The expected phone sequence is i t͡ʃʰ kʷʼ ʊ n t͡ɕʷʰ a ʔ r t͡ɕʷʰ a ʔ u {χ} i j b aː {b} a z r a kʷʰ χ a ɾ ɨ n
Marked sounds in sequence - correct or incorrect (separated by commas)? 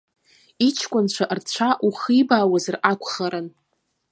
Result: correct, incorrect